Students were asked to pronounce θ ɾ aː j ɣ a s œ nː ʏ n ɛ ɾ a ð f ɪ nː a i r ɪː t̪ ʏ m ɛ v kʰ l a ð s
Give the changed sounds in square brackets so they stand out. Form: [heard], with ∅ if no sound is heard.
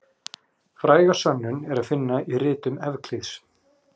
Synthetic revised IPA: [f] ɾ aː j ɣ a s œ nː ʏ n ɛ ɾ a ð f ɪ nː a i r ɪː t̪ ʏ m ɛ v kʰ l [i] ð s